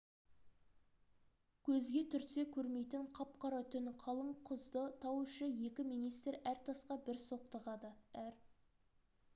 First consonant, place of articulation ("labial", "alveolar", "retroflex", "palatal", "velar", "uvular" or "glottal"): velar